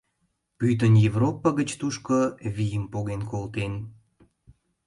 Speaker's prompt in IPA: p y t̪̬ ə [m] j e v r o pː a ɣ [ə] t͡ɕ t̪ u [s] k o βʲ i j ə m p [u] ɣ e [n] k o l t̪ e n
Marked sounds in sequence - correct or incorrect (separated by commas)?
incorrect, correct, incorrect, incorrect, correct